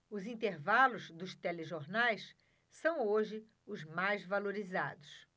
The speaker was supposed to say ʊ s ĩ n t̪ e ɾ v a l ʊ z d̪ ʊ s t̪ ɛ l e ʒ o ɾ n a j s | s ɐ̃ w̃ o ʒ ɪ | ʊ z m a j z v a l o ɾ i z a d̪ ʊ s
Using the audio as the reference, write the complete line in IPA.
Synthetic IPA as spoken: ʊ z ĩ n t̪ e ɾ v a l ʊ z d̪ ʊ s t̪ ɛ l e ʒ o ɾ n a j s | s ɐ̃ w̃ o ʒ ɪ | ʊ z m a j z v a l o ɾ i z a d̪ ʊ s